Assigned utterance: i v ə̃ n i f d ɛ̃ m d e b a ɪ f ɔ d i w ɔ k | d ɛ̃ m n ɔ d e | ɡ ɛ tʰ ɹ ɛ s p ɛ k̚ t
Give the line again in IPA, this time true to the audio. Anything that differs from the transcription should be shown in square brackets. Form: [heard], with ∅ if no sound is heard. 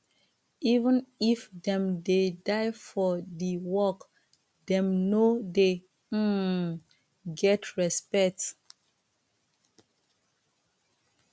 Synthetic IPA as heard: i v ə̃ n i f d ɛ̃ m d e [d] a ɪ f ɔ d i w ɔ k | d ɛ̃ m n [o] d e | ɡ ɛ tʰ ɹ ɛ s p ɛ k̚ t